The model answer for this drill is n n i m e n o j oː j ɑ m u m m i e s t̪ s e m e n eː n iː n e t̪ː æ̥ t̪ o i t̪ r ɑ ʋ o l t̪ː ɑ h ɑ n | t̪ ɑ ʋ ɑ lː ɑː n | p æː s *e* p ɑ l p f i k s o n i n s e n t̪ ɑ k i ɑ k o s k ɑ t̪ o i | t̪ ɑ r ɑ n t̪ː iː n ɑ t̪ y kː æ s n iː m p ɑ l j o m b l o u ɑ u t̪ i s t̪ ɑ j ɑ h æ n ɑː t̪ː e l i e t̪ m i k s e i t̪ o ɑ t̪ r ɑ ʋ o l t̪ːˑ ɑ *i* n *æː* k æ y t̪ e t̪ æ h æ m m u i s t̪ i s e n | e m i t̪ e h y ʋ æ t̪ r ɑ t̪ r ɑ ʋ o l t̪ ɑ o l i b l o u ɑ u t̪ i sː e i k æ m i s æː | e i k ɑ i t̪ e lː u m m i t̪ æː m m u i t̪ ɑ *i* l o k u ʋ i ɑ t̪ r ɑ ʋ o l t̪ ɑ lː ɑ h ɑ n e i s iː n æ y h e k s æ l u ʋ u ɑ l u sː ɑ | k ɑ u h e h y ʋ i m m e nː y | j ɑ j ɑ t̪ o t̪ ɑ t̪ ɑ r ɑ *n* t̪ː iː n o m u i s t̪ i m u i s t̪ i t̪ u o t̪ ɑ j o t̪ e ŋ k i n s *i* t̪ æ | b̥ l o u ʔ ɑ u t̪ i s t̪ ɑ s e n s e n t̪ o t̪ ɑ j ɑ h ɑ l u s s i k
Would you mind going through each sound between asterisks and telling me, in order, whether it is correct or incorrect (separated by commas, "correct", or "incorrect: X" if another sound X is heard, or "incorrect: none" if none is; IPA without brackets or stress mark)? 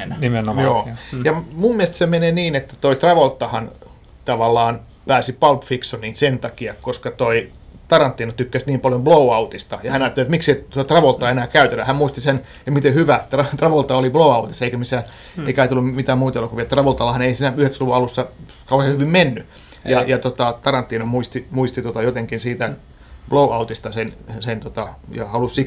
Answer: incorrect: i, incorrect: e, correct, incorrect: e, correct, incorrect: iː